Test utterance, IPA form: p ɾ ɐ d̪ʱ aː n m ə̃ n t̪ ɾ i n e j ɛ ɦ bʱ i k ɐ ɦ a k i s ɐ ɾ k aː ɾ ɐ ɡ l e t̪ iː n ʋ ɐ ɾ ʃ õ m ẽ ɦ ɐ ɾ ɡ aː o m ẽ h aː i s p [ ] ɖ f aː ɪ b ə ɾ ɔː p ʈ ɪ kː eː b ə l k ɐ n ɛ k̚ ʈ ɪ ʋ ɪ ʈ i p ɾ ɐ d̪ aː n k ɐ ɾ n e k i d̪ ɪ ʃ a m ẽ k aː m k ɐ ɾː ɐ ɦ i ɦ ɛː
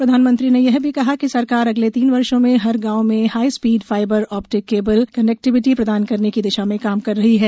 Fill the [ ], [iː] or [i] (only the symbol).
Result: iː